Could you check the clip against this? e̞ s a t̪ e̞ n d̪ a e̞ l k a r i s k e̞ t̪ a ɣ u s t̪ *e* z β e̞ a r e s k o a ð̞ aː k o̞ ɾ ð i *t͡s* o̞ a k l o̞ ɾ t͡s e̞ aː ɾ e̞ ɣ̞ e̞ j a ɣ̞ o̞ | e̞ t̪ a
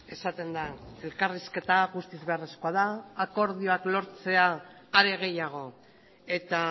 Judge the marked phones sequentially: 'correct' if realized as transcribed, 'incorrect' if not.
incorrect, incorrect

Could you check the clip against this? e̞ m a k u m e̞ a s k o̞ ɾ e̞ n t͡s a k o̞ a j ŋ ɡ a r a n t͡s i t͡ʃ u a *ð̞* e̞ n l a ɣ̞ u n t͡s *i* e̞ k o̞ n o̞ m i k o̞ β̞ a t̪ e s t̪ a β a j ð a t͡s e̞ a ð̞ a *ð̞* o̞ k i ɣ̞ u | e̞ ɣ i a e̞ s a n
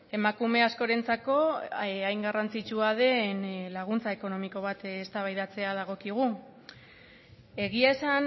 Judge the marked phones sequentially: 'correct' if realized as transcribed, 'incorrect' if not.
correct, incorrect, incorrect

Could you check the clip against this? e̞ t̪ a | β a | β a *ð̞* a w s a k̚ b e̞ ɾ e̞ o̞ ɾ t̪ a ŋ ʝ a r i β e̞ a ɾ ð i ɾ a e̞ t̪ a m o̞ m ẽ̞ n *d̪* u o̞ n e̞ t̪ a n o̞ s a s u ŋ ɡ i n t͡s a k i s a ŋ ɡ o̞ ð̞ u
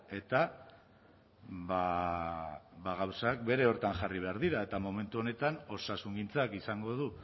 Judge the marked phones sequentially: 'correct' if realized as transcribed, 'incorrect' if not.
incorrect, incorrect

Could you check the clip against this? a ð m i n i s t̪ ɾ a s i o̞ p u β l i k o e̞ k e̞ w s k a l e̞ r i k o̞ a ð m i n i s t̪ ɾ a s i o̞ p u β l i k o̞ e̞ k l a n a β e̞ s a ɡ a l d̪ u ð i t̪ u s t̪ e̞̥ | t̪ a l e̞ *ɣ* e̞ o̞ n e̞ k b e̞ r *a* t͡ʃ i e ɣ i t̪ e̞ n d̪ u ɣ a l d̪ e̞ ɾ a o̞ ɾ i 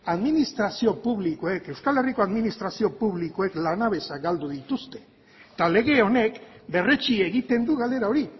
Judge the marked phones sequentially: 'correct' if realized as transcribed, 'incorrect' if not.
correct, incorrect

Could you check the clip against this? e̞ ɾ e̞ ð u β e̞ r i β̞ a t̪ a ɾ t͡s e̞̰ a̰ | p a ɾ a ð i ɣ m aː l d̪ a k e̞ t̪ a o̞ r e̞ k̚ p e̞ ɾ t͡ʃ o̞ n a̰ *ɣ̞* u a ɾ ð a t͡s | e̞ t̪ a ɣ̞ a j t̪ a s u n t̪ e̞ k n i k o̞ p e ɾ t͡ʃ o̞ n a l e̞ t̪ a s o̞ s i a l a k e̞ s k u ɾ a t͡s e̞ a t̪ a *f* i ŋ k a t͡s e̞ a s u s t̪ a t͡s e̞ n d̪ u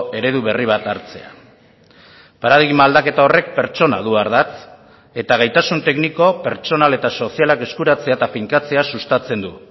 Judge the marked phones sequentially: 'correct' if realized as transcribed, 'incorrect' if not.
incorrect, correct

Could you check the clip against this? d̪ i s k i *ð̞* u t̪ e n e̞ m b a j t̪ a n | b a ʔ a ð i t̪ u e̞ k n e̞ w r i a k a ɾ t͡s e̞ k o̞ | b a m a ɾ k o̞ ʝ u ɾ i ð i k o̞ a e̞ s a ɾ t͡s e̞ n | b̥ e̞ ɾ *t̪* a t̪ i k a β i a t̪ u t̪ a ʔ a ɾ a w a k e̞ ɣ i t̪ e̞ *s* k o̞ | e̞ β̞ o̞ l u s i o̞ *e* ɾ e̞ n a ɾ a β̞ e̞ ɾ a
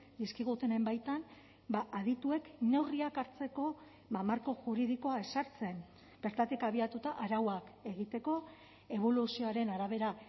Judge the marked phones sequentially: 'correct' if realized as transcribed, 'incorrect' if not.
incorrect, correct, incorrect, incorrect

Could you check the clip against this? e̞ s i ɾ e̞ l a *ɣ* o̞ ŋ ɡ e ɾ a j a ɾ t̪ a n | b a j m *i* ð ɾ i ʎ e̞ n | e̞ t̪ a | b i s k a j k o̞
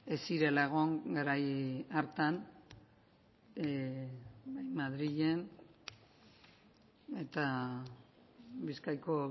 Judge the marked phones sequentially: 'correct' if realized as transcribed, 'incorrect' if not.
correct, incorrect

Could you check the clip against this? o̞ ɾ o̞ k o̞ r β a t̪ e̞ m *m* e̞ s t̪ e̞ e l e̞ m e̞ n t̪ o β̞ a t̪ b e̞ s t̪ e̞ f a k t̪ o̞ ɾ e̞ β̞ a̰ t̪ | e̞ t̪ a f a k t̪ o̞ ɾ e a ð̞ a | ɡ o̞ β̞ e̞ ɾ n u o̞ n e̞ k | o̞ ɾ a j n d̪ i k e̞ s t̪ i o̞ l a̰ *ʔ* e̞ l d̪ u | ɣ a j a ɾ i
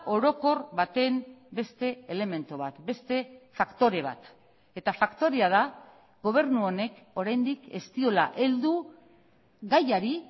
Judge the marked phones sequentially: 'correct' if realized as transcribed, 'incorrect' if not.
incorrect, correct

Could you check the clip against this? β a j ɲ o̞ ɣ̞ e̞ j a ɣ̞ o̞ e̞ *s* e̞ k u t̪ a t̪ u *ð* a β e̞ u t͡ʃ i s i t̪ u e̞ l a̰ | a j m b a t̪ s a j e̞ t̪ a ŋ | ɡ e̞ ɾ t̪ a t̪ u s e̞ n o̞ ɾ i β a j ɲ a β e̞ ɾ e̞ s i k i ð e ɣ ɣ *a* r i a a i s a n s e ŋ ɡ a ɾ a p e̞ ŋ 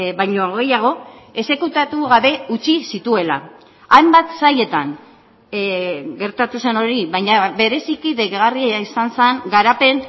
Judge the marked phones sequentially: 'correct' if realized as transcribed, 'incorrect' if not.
correct, incorrect, correct

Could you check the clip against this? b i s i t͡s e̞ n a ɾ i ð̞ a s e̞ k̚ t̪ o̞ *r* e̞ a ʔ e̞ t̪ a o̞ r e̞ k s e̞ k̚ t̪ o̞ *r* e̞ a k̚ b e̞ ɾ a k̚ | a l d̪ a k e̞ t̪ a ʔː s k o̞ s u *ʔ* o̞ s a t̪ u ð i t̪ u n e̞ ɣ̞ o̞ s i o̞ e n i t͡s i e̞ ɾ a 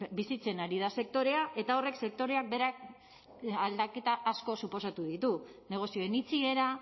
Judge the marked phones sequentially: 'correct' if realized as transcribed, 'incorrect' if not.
incorrect, incorrect, incorrect

